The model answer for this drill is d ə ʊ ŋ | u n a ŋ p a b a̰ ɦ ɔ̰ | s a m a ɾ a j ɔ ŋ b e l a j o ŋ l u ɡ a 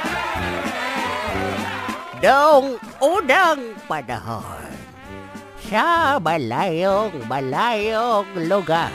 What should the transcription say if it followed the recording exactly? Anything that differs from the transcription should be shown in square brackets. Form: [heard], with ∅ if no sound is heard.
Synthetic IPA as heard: d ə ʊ ŋ | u [d] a ŋ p a [d] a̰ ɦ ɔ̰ | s a [b] a [l] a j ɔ ŋ b [a] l a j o ŋ l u ɡ a